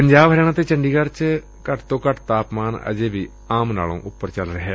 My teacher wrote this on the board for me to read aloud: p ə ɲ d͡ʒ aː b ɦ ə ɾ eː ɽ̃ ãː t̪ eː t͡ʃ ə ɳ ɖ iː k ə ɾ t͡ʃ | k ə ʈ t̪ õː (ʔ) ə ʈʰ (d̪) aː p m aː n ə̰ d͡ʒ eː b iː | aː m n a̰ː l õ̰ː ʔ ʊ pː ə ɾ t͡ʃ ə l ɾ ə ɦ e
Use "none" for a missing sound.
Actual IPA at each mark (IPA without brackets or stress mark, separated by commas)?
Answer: k, t̪